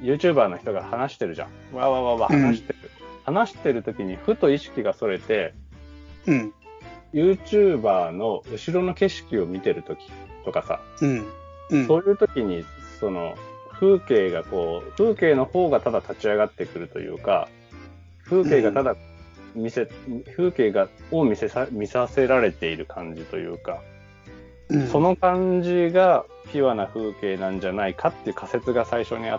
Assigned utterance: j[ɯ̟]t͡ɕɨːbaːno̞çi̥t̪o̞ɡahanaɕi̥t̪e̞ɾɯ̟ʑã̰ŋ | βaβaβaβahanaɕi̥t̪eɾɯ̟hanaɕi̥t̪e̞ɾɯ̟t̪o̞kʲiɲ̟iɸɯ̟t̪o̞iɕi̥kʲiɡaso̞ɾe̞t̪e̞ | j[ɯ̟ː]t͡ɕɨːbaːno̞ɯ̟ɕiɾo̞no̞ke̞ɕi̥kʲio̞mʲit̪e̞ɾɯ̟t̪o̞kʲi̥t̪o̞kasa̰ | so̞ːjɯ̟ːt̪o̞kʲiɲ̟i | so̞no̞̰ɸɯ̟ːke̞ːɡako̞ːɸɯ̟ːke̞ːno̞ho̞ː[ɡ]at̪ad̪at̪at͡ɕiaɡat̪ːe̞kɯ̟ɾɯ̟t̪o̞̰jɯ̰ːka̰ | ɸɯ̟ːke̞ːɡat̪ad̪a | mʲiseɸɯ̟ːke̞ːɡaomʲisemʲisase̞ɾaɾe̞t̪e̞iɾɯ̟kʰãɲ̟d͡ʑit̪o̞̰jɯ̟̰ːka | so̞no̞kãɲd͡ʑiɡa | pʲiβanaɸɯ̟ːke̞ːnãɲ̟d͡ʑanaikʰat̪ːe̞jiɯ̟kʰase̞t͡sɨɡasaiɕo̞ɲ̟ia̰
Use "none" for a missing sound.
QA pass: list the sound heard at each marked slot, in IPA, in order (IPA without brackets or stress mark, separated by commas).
ɯ̟ː, ɯ̟ː, ɡ